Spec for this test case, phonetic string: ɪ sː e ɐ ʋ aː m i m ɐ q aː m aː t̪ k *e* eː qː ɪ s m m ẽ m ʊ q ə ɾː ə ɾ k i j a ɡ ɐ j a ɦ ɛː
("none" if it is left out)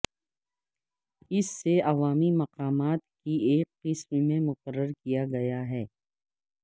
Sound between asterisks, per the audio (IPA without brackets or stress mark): i